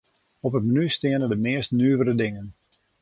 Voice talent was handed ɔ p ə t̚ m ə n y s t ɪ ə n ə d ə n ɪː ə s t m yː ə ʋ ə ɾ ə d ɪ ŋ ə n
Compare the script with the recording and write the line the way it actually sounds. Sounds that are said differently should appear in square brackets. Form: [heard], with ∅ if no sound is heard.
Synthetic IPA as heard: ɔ p ə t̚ m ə n y s t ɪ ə n ə d ə [m] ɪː ə s t [n] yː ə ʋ ə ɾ ə d ɪ ŋ ə n